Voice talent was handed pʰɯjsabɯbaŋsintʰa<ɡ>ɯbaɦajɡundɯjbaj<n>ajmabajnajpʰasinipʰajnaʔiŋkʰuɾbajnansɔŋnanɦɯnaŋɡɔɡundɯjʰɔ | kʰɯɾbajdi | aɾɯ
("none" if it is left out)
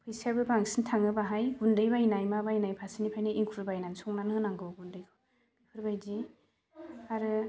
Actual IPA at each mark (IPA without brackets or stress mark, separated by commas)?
ŋ, n